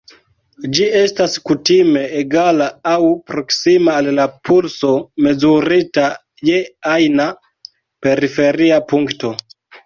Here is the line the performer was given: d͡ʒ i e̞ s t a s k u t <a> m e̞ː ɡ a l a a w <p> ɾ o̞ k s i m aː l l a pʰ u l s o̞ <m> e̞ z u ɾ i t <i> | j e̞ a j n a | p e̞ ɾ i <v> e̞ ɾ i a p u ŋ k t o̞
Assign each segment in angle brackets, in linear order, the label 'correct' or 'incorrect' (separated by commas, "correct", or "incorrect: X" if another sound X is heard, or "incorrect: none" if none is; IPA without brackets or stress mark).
incorrect: i, correct, correct, incorrect: a, incorrect: f